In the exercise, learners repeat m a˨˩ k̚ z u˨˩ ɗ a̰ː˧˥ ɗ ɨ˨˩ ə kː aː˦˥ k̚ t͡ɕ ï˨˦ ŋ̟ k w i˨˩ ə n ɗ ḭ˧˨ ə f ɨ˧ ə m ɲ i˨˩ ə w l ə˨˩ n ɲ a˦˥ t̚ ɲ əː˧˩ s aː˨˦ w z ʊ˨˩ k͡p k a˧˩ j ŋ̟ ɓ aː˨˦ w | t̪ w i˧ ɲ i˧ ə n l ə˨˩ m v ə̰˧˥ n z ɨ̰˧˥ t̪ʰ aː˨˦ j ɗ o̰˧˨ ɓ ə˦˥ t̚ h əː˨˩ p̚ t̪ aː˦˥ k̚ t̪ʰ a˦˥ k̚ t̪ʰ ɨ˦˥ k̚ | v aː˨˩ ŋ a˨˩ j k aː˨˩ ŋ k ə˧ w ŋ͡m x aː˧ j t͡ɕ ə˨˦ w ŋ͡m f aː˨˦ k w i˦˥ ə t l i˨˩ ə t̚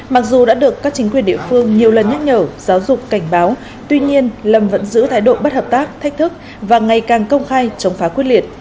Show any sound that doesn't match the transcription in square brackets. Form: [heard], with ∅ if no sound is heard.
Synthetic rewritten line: m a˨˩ k̚ z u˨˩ ɗ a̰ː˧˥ ɗ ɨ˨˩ ə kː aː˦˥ k̚ t͡ɕ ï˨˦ ŋ̟ k w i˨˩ ə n ɗ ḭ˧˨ ə f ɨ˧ ə [ŋ] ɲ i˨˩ ə w l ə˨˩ n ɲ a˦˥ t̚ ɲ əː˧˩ [z] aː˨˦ w z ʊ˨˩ k͡p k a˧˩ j ŋ̟ ɓ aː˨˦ w | t̪ w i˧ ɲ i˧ ə n l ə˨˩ m v ə̰˧˥ n z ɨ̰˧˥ t̪ʰ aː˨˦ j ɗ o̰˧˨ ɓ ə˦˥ t̚ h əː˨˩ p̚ t̪ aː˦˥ k̚ t̪ʰ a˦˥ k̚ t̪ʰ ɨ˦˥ k̚ | v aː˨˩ ŋ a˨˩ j k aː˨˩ ŋ k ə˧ w ŋ͡m x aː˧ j t͡ɕ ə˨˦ w ŋ͡m f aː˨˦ k w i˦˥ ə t l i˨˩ ə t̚